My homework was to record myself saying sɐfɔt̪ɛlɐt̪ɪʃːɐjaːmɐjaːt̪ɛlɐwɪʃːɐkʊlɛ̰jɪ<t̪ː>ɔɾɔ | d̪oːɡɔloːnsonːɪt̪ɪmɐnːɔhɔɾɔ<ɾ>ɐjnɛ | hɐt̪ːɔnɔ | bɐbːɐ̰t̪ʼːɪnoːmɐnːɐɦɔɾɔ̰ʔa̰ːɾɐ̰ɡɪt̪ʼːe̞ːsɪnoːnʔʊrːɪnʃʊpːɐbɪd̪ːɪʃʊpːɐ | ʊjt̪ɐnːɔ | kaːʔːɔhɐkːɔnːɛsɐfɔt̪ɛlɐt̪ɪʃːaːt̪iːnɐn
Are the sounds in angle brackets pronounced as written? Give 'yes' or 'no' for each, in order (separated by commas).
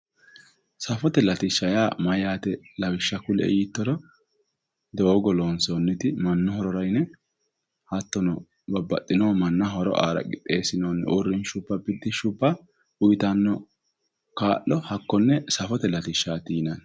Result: yes, yes